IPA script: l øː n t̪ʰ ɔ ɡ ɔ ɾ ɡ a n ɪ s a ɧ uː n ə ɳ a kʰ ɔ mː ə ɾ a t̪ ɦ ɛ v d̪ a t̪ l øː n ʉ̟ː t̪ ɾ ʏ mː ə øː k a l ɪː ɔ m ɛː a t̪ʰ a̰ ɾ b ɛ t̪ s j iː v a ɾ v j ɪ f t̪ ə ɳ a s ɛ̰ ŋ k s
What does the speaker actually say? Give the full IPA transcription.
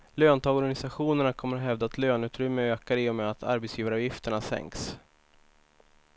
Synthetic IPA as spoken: l øː n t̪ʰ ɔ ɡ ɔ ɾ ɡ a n ɪ s a ɧ uː n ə ɳ a kʰ ɔ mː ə ɾ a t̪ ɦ ɛ v d̪ a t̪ l øː n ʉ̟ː t̪ ɾ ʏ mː ə øː k a ɾ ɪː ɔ m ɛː a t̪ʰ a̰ ɾ b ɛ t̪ s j iː v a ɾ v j ɪ f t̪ ə ɳ a s ɛ̰ ŋ k s